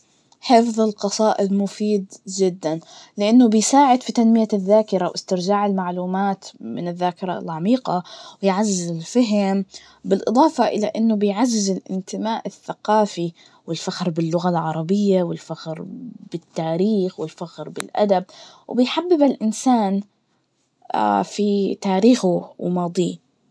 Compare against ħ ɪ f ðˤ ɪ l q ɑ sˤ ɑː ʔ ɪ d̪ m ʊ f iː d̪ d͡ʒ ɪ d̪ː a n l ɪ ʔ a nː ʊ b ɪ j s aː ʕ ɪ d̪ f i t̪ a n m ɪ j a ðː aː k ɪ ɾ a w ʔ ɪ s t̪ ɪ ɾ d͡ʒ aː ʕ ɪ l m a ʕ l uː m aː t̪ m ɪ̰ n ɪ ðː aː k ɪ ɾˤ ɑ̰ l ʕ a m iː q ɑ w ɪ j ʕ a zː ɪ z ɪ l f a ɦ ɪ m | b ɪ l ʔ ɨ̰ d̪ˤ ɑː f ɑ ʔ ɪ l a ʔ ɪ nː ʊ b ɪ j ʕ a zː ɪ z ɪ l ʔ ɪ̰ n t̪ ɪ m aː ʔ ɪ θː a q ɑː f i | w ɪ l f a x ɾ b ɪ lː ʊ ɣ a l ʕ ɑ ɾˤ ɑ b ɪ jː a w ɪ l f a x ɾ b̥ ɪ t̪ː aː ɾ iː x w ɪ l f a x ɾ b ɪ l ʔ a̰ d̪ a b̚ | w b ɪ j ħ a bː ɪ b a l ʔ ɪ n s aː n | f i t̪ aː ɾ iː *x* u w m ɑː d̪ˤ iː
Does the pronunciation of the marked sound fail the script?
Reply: no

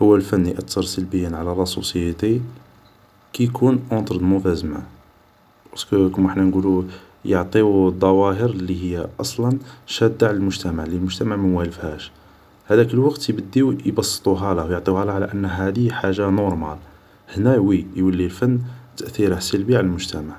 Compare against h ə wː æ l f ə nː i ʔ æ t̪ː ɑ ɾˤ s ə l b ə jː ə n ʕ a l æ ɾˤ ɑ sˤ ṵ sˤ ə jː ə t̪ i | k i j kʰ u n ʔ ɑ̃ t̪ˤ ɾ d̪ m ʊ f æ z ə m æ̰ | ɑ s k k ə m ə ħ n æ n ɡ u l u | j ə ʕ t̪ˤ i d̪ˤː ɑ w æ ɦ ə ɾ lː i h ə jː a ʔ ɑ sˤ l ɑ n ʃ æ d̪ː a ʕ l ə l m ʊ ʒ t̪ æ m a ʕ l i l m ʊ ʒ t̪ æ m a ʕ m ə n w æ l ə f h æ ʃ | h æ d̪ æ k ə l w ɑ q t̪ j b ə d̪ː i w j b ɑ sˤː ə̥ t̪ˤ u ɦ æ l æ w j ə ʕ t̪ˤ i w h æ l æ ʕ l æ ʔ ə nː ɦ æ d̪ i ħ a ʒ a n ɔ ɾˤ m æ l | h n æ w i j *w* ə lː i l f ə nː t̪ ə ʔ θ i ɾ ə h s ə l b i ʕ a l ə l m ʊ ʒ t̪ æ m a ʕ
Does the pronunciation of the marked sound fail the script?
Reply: no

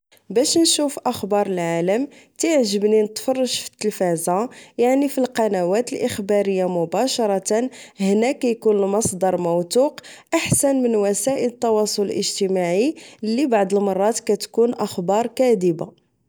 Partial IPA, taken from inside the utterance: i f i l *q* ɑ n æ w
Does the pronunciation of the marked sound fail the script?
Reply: no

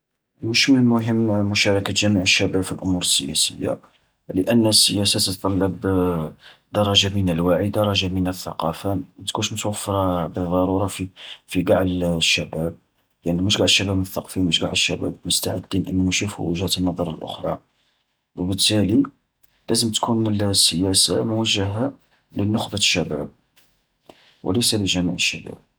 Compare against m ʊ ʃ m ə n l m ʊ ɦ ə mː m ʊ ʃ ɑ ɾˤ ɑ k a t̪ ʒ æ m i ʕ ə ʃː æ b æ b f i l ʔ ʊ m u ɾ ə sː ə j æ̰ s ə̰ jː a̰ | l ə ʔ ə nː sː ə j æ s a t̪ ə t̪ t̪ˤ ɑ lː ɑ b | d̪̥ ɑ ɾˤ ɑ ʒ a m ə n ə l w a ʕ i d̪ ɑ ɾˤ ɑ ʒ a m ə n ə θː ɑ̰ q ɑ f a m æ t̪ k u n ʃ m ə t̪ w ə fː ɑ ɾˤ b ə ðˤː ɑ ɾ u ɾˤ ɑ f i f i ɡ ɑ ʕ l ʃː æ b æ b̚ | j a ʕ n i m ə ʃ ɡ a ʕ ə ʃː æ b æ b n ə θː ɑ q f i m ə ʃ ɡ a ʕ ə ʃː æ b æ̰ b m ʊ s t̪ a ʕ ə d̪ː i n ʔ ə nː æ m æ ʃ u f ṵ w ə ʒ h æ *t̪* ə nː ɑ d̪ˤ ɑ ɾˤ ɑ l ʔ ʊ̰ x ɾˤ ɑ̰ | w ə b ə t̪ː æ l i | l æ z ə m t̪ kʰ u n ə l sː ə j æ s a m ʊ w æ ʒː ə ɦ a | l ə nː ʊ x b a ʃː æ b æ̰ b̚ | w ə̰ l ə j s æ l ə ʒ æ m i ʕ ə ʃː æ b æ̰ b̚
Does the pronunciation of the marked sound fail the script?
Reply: no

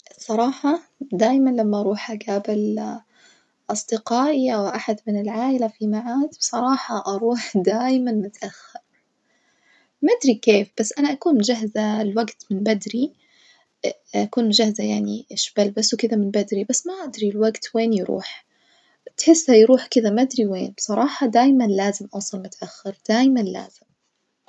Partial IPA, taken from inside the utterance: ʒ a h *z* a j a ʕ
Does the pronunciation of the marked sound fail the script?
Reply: no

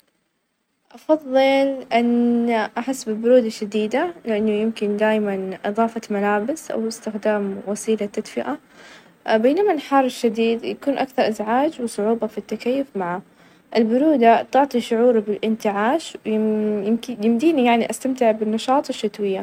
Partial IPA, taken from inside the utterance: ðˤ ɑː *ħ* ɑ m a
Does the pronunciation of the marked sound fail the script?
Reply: yes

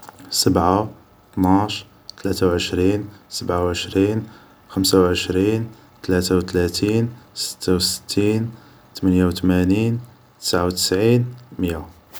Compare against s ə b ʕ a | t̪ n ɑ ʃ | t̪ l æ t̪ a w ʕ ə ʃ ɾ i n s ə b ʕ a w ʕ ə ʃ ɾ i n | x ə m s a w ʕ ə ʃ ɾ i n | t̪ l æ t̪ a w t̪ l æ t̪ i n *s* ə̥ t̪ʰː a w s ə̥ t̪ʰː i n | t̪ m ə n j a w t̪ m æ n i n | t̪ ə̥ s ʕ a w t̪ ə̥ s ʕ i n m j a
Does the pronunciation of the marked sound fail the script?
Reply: no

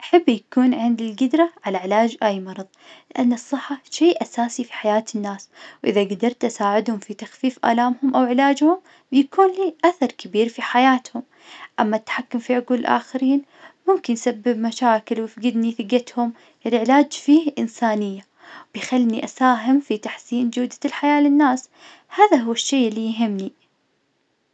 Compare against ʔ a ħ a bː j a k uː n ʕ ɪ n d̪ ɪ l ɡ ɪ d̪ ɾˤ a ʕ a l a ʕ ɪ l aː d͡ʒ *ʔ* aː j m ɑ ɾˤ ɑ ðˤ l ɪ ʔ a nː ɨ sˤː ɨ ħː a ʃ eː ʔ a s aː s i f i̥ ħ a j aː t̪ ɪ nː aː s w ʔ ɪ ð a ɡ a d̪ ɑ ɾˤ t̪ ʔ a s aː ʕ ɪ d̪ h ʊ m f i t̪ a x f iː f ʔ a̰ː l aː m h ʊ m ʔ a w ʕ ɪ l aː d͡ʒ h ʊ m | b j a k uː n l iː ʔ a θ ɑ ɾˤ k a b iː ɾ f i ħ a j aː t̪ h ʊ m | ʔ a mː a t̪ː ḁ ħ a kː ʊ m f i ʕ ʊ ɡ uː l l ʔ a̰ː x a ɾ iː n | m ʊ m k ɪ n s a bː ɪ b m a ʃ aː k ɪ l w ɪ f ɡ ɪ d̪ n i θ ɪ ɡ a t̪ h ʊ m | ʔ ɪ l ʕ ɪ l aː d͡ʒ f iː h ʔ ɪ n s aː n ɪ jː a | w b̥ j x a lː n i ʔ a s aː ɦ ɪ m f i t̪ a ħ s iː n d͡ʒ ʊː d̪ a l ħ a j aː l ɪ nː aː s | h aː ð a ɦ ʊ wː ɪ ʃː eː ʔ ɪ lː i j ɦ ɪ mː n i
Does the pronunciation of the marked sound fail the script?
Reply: no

